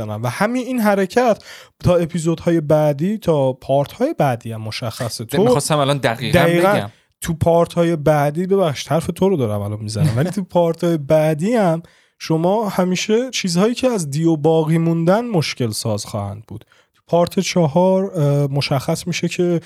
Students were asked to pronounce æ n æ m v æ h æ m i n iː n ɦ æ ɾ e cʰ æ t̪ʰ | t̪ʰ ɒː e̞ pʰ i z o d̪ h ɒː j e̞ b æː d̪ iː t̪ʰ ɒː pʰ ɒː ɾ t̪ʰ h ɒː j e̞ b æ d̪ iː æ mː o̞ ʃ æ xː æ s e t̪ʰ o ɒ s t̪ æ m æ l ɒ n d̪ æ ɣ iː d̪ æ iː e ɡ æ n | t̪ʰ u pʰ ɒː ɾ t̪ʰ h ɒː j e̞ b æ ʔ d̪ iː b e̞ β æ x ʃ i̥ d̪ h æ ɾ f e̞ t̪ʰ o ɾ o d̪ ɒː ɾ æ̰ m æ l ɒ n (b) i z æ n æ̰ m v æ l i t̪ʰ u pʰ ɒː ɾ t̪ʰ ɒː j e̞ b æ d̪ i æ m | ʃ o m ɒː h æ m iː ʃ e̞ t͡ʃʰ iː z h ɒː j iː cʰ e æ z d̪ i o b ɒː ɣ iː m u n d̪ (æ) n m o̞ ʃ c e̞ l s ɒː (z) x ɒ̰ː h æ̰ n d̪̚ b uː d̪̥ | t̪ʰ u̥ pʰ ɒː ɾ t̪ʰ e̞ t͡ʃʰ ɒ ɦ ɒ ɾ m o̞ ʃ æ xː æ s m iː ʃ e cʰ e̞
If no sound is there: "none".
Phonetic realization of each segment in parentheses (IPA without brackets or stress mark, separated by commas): m, æ, z